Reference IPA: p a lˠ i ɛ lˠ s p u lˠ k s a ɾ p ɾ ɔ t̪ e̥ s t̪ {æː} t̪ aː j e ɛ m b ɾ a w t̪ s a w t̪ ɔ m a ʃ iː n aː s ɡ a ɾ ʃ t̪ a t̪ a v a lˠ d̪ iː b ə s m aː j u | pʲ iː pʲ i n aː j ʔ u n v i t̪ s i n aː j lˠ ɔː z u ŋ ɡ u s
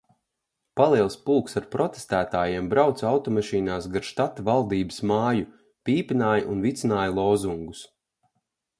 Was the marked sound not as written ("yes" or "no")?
no